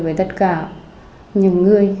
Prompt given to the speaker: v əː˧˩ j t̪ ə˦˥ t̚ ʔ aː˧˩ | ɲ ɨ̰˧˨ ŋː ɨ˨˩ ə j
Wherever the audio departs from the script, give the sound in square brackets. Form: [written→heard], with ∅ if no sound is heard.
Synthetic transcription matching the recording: v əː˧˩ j t̪ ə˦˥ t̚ [ʔ→k] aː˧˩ | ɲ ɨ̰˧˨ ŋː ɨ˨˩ ə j

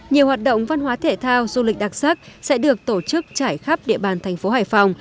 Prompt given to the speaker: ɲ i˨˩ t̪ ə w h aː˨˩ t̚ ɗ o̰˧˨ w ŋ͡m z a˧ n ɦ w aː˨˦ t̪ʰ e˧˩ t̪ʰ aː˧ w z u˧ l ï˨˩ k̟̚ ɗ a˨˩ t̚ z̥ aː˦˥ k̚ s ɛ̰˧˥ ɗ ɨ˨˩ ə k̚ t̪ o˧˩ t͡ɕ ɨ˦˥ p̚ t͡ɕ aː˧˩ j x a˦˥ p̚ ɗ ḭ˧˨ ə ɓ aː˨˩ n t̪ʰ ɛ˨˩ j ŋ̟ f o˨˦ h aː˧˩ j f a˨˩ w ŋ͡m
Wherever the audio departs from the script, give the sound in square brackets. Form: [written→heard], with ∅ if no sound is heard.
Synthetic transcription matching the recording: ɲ i˨˩ [t̪→∅] ə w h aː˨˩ t̚ ɗ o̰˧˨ w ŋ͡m [z→v] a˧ n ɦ w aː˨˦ t̪ʰ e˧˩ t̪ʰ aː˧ w z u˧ l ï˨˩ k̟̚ ɗ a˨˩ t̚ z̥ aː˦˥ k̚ s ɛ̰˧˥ ɗ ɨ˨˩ ə k̚ t̪ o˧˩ t͡ɕ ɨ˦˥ [p̚→k̚] t͡ɕ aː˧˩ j x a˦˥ p̚ ɗ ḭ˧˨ ə ɓ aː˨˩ n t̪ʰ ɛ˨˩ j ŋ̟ f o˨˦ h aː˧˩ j f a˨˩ w ŋ͡m

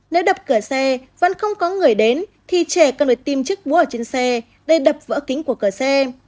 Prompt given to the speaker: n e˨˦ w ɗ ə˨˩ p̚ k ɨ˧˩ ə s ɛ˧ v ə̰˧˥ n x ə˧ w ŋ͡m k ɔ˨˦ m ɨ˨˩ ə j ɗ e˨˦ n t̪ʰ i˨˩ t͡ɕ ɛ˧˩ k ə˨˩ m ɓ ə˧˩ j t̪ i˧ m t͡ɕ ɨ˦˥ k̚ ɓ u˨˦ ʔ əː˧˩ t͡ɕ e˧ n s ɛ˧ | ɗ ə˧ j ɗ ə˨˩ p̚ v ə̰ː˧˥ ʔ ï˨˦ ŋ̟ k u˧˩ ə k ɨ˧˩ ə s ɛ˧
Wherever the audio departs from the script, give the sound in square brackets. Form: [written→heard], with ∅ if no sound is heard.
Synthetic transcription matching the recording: n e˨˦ w ɗ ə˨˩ p̚ k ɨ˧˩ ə s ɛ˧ v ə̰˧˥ n x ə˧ w ŋ͡m k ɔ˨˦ [m→ŋ] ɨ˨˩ ə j ɗ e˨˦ n t̪ʰ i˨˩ t͡ɕ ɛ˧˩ k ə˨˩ [m→n] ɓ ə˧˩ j t̪ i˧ m t͡ɕ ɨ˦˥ k̚ ɓ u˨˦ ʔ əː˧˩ t͡ɕ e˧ n s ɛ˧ | ɗ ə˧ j ɗ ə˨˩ p̚ v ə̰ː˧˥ [ʔ→k] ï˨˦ ŋ̟ k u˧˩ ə k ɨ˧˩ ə s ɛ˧

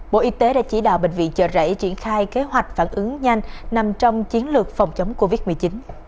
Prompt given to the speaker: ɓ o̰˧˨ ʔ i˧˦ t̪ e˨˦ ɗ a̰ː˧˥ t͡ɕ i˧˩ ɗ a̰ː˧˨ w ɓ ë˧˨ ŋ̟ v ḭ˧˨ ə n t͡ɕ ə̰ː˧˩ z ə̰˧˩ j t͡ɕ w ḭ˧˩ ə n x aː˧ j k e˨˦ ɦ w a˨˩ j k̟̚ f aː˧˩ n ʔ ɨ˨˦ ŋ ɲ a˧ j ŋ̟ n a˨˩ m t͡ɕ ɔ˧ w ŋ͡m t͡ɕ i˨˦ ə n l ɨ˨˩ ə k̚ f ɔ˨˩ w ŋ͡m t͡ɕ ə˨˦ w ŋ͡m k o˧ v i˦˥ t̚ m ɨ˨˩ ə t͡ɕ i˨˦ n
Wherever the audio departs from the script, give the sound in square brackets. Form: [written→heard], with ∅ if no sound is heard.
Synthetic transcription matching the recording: ɓ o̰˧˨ ʔ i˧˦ t̪ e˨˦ ɗ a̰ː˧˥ t͡ɕ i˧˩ ɗ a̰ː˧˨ w ɓ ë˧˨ ŋ̟ v ḭ˧˨ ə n t͡ɕ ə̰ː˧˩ z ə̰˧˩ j t͡ɕ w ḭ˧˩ ə n x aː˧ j k e˨˦ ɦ w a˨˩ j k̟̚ f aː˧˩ n ʔ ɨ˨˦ ŋ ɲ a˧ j ŋ̟ n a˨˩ m t͡ɕ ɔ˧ w ŋ͡m t͡ɕ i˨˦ ə n l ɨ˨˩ ə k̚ f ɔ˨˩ w ŋ͡m t͡ɕ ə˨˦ w ŋ͡m k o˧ v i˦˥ t̚ m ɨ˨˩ ə t͡ɕ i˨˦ n

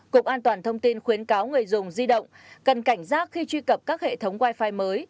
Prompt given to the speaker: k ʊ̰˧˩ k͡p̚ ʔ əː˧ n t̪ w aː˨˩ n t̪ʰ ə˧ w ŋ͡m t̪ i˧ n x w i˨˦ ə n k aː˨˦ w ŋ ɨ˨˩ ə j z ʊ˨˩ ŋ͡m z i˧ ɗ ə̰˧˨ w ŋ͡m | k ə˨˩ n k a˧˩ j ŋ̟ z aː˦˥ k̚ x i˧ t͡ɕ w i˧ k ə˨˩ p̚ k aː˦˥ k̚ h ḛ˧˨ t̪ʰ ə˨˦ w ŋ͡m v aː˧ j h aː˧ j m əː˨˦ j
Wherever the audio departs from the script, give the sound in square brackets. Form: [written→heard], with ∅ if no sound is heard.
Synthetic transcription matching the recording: k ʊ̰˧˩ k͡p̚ ʔ [əː˧→aː˧] n t̪ w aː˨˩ n t̪ʰ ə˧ w ŋ͡m t̪ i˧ n x w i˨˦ ə n k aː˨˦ w ŋ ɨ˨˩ ə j z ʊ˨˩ ŋ͡m z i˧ ɗ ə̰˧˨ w ŋ͡m | k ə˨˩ n k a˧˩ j ŋ̟ z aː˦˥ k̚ x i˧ t͡ɕ w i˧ k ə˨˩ p̚ k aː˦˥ k̚ h ḛ˧˨ t̪ʰ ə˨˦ w ŋ͡m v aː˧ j [h→f] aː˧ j m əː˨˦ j

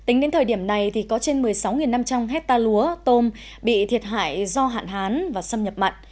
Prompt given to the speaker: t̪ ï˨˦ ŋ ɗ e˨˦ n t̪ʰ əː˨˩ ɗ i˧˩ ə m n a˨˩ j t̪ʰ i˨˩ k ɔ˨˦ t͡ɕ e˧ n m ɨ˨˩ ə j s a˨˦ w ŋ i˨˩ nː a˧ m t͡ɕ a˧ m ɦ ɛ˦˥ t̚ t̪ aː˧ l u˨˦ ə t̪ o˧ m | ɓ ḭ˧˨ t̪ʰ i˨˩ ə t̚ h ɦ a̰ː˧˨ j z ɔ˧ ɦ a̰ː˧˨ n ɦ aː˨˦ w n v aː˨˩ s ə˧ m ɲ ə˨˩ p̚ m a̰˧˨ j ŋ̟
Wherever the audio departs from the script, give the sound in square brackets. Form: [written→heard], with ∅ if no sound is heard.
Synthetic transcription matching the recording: t̪ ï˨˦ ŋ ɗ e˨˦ n t̪ʰ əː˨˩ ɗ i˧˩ ə m n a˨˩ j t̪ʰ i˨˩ k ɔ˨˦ t͡ɕ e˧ n m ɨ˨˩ ə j s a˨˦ w ŋ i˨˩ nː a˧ m t͡ɕ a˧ m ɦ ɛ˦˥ t̚ t̪ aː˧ l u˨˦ ə t̪ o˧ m | ɓ ḭ˧˨ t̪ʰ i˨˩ ə t̚ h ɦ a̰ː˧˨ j z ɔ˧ ɦ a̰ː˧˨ n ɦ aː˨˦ [w→∅] n v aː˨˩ s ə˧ m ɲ ə˨˩ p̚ m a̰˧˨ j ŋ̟

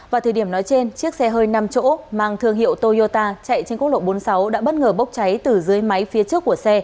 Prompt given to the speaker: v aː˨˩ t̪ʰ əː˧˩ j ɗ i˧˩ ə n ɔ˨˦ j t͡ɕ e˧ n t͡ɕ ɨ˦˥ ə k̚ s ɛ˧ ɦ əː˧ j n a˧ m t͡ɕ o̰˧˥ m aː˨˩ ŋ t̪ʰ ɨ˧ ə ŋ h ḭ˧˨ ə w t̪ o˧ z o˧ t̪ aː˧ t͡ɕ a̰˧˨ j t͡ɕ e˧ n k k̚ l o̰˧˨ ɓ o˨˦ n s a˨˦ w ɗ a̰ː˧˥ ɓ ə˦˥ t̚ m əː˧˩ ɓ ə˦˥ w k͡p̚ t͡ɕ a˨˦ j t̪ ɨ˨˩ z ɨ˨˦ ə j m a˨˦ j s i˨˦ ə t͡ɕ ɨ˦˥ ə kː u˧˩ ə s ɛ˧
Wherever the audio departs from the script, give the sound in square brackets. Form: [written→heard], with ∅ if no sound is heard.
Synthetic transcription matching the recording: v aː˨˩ t̪ʰ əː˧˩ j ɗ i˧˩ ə n ɔ˨˦ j t͡ɕ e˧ n t͡ɕ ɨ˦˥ ə k̚ s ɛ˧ ɦ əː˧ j n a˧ m t͡ɕ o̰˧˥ m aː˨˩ ŋ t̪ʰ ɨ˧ ə ŋ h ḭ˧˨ ə w t̪ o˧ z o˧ t̪ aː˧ t͡ɕ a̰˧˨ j t͡ɕ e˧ n k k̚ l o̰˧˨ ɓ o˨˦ n s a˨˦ w ɗ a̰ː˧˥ ɓ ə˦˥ t̚ [m→ŋ] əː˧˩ ɓ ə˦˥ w k͡p̚ t͡ɕ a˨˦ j t̪ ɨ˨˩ z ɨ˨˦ ə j m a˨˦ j [s→f] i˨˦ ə t͡ɕ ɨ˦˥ ə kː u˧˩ ə s ɛ˧

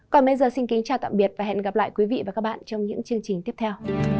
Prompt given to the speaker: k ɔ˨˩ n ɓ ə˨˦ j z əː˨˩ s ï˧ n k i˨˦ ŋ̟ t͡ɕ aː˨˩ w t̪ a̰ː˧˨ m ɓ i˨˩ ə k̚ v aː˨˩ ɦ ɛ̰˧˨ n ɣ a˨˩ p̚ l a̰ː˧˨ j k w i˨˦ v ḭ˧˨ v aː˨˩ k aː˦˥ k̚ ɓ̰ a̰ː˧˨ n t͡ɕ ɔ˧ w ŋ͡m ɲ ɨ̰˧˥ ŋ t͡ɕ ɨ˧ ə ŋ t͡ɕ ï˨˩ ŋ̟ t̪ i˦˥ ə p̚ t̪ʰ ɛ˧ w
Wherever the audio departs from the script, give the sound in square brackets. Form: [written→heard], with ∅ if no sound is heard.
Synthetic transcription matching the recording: k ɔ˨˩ n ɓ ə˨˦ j z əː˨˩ s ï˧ n k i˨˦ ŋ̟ t͡ɕ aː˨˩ w t̪ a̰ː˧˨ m ɓ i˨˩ ə [k̚→t̚] v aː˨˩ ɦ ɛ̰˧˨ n ɣ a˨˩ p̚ l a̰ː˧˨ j k w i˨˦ v ḭ˧˨ v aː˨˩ k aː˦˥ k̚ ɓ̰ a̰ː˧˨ n t͡ɕ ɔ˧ w ŋ͡m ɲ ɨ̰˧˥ ŋ t͡ɕ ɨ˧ ə ŋ t͡ɕ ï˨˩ ŋ̟ t̪ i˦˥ ə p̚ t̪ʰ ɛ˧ w

